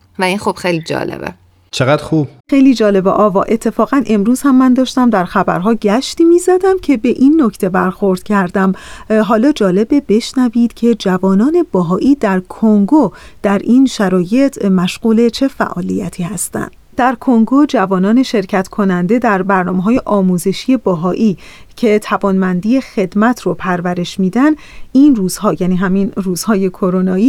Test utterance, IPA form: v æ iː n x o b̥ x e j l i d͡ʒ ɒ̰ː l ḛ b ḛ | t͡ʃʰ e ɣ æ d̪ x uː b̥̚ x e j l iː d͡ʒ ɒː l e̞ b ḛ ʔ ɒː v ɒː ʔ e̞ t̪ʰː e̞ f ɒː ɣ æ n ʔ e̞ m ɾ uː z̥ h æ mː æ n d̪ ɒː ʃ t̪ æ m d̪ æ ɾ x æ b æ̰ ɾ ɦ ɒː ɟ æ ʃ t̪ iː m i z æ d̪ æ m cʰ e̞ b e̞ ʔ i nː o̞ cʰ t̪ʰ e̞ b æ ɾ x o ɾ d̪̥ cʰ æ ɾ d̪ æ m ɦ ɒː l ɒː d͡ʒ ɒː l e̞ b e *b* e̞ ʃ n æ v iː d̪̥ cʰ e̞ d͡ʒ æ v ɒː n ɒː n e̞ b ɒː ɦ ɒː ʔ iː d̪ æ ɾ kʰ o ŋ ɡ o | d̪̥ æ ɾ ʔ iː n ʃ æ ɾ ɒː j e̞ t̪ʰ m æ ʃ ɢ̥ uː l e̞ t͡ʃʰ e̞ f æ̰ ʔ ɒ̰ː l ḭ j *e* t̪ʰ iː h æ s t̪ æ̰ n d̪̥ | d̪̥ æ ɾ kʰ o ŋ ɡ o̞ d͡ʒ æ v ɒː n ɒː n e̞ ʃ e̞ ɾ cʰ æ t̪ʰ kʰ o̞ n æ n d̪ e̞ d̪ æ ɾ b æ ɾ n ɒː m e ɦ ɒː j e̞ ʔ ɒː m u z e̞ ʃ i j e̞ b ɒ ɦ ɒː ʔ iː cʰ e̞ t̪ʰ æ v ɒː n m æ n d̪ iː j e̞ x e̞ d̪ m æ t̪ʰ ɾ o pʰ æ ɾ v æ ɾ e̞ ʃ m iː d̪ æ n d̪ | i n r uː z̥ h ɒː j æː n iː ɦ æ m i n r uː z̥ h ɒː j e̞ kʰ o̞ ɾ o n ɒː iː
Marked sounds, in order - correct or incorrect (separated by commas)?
correct, incorrect